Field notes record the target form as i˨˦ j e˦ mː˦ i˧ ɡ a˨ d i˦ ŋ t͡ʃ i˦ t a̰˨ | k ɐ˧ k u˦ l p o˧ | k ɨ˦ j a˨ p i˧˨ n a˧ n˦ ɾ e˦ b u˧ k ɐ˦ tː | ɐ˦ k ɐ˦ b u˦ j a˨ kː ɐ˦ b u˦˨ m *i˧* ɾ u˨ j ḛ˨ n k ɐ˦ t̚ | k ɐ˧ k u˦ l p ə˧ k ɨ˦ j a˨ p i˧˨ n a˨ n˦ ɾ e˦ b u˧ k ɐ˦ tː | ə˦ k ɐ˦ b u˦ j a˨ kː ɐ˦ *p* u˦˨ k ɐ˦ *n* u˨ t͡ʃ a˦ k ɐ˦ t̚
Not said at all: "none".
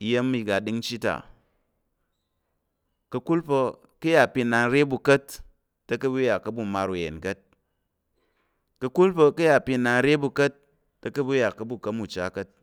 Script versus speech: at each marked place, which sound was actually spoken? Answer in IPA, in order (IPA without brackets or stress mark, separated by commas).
a˧, b, m